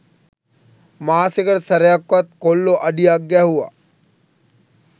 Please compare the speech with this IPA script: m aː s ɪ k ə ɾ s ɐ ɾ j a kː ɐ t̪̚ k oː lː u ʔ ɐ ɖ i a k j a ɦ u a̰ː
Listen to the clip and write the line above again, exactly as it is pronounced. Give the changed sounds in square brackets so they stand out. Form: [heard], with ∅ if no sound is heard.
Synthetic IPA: m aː s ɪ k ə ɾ s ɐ ɾ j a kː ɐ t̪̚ k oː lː [o] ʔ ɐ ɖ i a [ɡ] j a ɦ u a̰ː